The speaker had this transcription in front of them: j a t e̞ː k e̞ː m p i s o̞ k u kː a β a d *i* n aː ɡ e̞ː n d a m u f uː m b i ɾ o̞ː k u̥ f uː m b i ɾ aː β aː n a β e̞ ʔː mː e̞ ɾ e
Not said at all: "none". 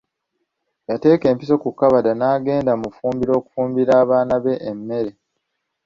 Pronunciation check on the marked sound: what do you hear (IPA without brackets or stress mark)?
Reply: a